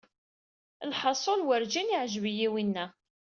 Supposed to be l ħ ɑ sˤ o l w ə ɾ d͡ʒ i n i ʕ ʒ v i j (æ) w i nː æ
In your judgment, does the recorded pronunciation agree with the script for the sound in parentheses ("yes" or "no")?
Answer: no